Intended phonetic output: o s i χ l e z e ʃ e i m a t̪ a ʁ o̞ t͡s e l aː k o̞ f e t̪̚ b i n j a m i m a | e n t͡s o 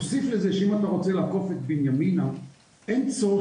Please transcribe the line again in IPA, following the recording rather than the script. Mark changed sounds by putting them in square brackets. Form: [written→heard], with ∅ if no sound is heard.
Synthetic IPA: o s i [χ→f] l e z e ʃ e i m a t̪ a ʁ o̞ t͡s e l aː k o̞ f e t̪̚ b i n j a m i [m→n] a | e n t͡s o